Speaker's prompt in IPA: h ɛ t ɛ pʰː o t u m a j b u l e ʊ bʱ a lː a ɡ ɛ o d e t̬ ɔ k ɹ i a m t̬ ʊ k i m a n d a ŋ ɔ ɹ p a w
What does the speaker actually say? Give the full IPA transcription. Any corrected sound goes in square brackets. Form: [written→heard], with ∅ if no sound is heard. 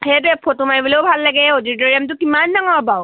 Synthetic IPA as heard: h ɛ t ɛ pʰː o t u m a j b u l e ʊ bʱ a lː a ɡ ɛ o d [e→i] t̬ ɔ [k→∅] ɹ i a m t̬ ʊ k i m a n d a ŋ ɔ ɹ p a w

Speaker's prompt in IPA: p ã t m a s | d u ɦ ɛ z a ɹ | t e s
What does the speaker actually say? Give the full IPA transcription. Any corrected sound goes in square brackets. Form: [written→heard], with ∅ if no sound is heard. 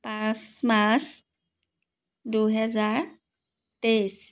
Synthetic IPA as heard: p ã [t→s] m a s | d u ɦ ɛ z a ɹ | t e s

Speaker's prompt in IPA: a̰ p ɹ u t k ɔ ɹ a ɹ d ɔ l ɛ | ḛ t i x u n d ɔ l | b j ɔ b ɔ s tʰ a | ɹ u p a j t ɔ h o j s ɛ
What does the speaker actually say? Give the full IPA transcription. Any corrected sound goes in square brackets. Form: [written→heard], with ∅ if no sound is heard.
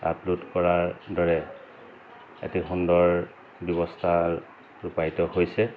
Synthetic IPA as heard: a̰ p [ɹ→l] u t k ɔ ɹ a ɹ d ɔ [l→ɹ] ɛ | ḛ t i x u n d ɔ [l→ɹ] | b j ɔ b ɔ s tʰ a | ɹ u p a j t ɔ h o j s ɛ

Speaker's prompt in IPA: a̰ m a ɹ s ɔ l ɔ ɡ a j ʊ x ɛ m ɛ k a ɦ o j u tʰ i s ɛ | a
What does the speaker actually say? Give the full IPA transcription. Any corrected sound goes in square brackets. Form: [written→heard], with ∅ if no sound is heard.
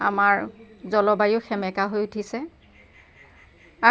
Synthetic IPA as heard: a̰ m a ɹ [s→z] ɔ l ɔ [ɡ→b] a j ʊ x ɛ m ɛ k a ɦ o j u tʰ i s ɛ | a

